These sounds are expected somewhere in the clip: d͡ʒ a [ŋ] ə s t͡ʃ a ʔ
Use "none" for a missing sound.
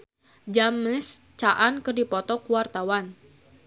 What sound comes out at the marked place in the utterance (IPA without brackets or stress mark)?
m